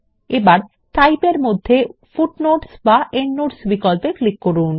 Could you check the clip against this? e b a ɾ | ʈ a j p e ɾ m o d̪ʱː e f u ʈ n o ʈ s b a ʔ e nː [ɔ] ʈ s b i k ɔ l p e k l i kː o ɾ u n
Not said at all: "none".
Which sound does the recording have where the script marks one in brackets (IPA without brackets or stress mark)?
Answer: o